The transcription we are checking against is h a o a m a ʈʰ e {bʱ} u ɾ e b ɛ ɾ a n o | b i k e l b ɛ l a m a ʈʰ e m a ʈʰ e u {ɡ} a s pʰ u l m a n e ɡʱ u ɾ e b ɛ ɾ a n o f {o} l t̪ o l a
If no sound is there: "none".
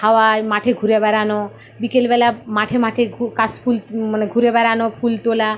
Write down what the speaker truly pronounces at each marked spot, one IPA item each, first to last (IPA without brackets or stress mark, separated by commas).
ɡʱ, k, u